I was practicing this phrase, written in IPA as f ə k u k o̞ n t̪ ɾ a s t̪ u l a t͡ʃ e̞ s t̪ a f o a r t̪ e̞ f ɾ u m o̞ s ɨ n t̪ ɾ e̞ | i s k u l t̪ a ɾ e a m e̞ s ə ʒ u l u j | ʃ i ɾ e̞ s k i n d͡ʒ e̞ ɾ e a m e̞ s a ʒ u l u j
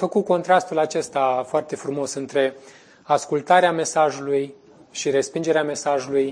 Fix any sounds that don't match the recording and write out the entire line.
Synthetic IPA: f ə k u k o̞ n t̪ ɾ a s t̪ u l a t͡ʃ e̞ s t̪ a f o a r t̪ e̞ f ɾ u m o̞ s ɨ n t̪ ɾ e̞ | a s k u l t̪ a ɾ e a m e̞ s a ʒ u l u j | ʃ i ɾ e̞ s p i n d͡ʒ e̞ ɾ e a m e̞ s a ʒ u l u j